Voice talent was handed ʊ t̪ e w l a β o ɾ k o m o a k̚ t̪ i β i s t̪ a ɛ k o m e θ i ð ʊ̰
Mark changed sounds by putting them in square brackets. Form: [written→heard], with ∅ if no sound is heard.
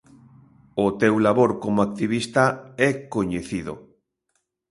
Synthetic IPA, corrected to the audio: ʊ t̪ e w l a β o ɾ k o m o a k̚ t̪ i β i s t̪ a ɛ k o [m→ɲ] e θ i ð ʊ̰